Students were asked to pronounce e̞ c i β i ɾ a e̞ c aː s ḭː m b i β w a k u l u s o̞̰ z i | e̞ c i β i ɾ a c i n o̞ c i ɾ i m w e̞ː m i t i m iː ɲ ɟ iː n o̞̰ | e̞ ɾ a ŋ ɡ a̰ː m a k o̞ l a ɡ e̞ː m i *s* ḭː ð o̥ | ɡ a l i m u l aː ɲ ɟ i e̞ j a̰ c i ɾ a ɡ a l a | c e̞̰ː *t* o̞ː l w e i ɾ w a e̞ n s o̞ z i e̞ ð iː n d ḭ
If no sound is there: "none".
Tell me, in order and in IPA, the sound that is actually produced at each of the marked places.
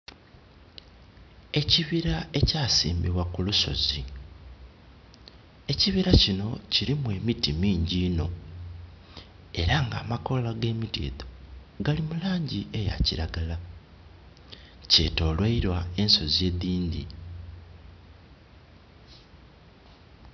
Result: t, t

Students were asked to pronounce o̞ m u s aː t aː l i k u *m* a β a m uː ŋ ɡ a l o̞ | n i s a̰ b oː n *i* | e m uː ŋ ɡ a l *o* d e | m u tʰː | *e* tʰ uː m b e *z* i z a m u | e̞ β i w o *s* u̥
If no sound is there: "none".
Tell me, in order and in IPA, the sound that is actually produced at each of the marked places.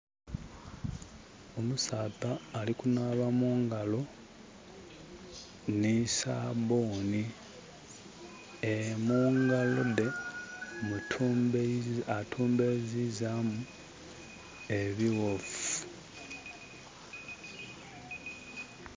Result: n, i, o, a, z, f

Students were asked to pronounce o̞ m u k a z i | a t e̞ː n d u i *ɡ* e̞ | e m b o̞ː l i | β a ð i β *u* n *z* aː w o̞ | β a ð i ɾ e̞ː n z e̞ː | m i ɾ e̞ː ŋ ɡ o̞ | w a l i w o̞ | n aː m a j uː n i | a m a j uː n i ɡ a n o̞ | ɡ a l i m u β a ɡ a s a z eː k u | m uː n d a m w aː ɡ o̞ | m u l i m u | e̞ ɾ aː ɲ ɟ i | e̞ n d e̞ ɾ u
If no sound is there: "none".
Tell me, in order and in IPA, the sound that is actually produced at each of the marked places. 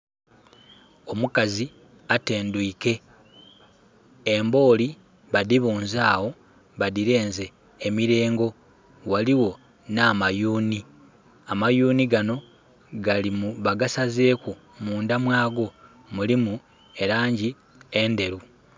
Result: k, uː, z

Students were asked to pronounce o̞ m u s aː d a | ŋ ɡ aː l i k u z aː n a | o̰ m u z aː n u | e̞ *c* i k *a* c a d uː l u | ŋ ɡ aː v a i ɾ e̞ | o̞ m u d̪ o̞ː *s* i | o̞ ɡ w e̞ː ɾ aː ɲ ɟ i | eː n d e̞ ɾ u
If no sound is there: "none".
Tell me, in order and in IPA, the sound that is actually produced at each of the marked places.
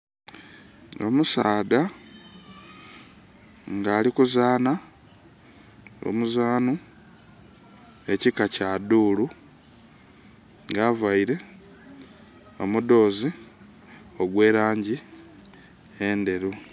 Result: c, a, z

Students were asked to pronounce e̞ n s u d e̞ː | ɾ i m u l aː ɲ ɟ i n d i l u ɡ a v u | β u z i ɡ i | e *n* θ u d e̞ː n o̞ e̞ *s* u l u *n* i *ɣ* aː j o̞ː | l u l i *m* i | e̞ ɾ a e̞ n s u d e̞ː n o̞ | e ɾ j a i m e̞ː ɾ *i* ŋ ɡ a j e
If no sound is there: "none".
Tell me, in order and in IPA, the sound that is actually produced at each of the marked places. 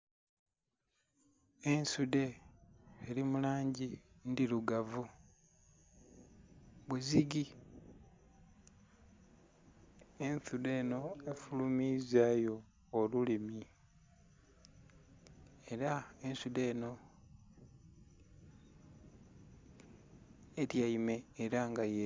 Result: n, f, m, z, m, a

